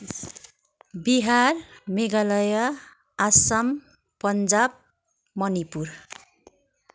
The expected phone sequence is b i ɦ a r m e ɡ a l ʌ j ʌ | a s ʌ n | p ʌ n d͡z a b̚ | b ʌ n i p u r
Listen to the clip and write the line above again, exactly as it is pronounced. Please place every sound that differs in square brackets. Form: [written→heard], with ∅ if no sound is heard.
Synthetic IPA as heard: b i ɦ a r m e ɡ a l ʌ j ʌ | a s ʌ [n→m] | p ʌ n d͡z a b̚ | [b→m] ʌ n i p u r